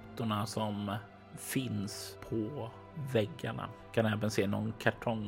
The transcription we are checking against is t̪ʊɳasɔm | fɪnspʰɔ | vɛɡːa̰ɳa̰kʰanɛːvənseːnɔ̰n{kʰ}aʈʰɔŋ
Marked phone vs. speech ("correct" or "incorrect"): correct